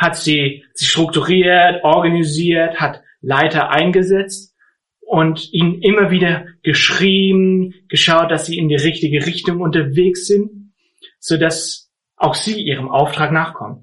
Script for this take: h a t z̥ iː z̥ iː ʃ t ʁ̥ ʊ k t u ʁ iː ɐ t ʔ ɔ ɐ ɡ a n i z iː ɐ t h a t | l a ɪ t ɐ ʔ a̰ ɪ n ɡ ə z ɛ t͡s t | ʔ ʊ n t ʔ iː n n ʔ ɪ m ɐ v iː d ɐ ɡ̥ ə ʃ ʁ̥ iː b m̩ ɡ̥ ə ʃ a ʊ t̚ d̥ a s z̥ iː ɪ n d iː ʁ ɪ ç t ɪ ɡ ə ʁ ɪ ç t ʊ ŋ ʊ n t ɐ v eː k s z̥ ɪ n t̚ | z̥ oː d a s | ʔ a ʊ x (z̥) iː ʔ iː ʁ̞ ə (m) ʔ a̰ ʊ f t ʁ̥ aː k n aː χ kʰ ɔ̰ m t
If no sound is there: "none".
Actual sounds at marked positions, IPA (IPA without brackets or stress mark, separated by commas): z̥, m